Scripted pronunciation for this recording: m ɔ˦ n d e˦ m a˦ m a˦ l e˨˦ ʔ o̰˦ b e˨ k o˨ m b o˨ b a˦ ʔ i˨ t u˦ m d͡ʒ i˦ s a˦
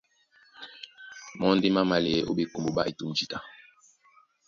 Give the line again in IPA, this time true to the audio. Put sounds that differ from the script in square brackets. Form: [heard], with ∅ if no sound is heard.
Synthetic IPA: m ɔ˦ n d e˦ m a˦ m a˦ l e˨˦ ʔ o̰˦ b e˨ k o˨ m b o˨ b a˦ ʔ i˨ t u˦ m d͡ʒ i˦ [t] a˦